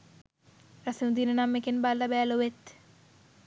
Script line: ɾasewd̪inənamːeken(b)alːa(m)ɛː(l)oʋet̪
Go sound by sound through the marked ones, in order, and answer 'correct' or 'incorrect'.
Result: correct, incorrect: b, correct

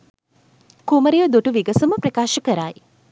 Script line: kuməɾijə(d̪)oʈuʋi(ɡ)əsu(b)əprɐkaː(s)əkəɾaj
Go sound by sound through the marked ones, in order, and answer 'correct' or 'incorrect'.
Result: correct, correct, incorrect: m, incorrect: ʃ

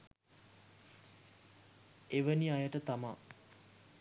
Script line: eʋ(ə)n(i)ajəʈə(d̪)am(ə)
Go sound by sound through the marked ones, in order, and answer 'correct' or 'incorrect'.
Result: correct, correct, incorrect: t̪, incorrect: a

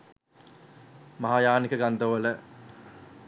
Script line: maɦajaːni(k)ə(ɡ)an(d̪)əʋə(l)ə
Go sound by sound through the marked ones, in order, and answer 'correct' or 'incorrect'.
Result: correct, correct, correct, correct

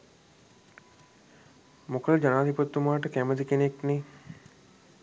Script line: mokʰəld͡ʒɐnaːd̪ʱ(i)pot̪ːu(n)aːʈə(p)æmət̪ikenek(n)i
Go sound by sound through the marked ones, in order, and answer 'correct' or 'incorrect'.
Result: correct, incorrect: m, incorrect: k, correct

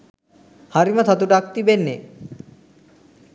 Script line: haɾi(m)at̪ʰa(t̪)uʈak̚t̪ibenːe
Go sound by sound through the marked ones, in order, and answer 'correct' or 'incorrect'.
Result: correct, correct

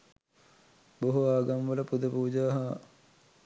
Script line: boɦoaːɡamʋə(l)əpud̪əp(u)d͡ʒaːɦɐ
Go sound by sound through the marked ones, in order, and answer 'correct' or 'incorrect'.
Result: correct, incorrect: uː

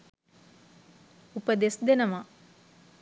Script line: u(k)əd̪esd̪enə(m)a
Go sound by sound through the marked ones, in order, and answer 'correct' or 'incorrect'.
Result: incorrect: p, correct

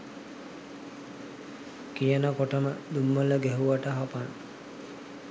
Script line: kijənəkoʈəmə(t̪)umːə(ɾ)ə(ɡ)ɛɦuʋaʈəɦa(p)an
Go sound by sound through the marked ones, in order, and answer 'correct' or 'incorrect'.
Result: incorrect: d̪, incorrect: l, correct, correct

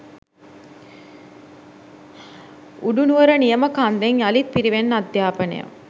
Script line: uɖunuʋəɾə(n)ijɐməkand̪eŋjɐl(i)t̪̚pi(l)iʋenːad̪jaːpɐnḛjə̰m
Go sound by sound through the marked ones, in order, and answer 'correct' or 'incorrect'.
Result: correct, correct, incorrect: ɾ

